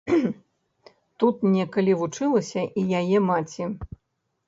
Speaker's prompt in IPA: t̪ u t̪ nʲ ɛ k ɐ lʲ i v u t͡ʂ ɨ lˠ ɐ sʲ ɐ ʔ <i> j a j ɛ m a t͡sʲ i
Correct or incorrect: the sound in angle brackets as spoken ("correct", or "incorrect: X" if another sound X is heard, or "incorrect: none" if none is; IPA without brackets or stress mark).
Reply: correct